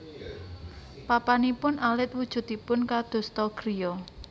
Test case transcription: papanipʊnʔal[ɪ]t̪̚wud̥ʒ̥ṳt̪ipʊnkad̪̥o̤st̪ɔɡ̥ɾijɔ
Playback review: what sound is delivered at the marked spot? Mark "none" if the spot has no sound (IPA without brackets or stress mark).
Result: ɪ